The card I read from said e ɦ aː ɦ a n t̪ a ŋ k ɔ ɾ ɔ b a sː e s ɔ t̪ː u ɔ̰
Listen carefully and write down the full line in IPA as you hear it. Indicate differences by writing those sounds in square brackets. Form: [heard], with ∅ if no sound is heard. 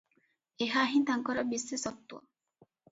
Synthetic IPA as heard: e ɦ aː ɦ [i] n t̪ a ŋ k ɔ ɾ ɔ b [i] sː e s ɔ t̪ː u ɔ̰